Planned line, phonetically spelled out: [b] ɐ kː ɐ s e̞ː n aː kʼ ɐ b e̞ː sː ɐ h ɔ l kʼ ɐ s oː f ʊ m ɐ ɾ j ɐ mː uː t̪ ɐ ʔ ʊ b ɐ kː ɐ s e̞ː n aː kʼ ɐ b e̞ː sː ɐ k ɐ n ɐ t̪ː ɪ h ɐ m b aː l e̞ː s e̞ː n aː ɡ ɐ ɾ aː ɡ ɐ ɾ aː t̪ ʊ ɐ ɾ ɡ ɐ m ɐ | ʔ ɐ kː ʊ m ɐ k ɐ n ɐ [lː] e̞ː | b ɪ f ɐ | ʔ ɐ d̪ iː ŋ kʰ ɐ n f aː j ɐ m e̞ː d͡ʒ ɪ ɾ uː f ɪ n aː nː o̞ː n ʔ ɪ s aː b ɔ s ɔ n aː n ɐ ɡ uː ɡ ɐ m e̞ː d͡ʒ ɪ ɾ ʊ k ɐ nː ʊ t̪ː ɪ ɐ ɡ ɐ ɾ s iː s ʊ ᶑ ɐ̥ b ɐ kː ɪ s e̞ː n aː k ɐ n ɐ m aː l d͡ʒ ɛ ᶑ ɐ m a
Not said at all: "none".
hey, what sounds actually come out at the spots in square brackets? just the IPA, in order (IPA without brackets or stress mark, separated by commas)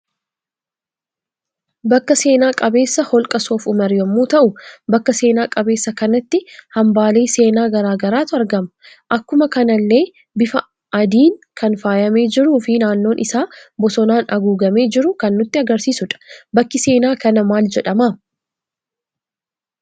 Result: b, lː